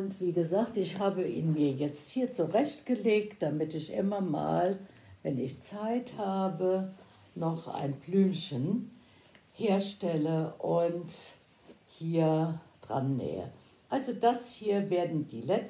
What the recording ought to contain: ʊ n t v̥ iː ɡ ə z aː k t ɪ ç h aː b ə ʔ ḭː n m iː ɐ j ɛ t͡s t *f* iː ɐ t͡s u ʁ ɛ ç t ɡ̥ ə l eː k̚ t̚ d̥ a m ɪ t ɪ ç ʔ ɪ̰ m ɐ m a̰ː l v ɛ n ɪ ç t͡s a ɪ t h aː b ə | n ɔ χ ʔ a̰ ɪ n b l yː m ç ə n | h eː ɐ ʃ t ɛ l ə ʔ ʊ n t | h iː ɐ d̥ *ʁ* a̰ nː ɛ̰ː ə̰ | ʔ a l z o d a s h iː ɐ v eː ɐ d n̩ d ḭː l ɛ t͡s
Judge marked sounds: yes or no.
no, yes

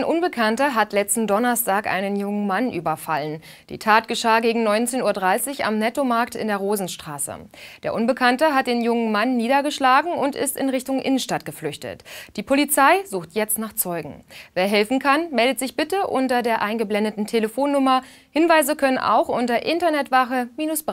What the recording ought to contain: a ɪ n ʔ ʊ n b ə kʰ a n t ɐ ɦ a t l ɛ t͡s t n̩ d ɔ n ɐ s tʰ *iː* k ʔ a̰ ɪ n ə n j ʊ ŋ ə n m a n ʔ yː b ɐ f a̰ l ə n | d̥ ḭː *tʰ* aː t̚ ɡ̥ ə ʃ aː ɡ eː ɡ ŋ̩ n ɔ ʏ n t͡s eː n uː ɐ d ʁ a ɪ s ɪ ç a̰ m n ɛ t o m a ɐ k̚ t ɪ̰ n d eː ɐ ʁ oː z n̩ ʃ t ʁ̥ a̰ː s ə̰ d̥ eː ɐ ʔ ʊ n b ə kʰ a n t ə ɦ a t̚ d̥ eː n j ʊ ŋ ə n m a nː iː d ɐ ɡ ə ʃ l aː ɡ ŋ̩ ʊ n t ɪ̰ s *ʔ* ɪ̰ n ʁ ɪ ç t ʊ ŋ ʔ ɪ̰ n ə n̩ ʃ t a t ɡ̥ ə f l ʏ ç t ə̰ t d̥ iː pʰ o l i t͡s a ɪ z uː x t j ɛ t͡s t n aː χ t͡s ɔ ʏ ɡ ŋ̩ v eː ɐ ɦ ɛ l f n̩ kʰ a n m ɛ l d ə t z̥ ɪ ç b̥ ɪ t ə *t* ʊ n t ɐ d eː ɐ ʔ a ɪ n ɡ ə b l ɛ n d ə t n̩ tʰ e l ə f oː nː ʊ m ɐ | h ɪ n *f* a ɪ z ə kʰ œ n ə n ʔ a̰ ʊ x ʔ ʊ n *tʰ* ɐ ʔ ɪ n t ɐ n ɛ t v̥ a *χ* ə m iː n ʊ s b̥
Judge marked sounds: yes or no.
no, yes, no, no, no, no, yes

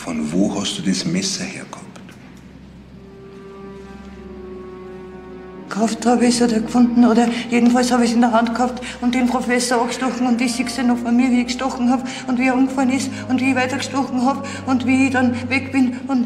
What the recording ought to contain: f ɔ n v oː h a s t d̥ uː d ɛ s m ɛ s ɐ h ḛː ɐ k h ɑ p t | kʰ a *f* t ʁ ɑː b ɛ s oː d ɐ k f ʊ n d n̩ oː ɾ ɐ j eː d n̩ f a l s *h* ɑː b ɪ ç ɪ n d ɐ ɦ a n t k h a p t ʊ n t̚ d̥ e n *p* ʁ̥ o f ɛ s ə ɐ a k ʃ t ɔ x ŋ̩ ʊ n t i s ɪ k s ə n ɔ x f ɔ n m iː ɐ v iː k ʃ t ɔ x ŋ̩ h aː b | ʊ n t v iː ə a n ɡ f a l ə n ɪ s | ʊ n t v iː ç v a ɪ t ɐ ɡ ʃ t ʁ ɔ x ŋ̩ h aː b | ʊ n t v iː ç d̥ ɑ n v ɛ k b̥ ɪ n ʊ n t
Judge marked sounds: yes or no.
yes, yes, yes

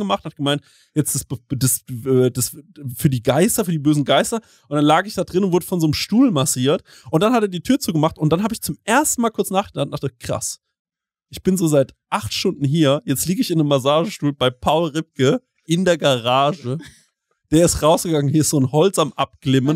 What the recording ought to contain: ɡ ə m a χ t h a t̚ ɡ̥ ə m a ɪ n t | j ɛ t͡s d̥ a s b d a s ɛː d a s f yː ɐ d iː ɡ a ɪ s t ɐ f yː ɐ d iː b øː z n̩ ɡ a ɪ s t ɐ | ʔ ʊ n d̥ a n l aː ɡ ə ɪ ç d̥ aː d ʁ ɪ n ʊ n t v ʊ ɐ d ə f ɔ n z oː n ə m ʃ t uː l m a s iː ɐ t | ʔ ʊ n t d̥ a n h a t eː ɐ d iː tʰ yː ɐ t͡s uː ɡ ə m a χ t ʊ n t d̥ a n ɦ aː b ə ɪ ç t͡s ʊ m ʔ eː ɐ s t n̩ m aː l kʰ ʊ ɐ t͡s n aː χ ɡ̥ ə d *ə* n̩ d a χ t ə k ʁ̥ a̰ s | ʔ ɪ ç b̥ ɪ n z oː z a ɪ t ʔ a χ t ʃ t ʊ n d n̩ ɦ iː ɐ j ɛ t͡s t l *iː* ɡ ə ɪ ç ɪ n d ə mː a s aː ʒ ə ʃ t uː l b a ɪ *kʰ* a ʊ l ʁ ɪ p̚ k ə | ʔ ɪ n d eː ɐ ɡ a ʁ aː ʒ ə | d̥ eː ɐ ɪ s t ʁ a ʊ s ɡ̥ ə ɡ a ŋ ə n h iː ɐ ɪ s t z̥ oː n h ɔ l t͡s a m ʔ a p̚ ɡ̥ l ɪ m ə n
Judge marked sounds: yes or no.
no, yes, no

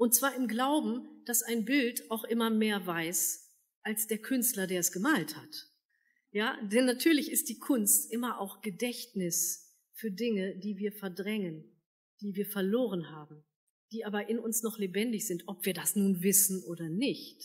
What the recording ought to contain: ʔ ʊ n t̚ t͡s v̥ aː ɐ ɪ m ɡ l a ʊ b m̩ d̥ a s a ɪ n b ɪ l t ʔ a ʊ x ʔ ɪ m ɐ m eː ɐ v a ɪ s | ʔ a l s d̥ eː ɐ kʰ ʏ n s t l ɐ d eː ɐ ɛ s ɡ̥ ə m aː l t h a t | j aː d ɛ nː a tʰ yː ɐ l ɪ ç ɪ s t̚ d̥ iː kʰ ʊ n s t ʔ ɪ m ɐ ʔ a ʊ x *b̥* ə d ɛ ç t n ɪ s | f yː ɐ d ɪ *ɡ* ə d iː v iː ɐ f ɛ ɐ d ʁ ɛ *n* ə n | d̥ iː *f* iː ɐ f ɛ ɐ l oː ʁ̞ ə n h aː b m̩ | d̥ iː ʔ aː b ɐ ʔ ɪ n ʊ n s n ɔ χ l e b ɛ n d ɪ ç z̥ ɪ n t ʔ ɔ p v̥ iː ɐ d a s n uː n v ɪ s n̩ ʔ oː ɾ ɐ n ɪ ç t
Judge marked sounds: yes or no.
no, no, no, no

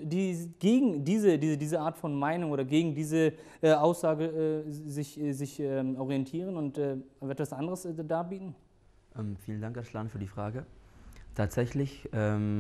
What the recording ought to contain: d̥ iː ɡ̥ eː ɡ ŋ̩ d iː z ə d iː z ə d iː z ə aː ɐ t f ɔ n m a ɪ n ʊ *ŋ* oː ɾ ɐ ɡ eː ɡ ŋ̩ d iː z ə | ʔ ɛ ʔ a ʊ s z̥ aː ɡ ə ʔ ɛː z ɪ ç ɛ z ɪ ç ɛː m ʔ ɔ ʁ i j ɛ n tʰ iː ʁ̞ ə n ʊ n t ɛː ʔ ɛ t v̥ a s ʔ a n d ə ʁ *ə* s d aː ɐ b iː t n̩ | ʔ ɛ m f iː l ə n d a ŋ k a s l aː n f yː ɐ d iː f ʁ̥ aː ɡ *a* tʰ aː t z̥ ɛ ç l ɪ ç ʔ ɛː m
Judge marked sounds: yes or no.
yes, yes, no

